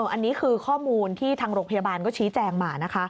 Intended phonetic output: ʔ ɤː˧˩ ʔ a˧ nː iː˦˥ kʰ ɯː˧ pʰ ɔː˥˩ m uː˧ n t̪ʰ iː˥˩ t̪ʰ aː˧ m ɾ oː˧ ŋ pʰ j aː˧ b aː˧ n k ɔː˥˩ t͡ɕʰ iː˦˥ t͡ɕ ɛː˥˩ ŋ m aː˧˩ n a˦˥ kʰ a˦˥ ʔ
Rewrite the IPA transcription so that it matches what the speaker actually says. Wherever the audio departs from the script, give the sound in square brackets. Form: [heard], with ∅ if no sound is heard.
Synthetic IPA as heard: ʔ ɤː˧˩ ʔ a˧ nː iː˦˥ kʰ ɯː˧ [kʰ] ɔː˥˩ m uː˧ n t̪ʰ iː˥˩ t̪ʰ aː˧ [ŋ] ɾ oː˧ ŋ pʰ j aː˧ b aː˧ n k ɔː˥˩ t͡ɕʰ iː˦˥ t͡ɕ [ɛː˧] ŋ m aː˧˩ n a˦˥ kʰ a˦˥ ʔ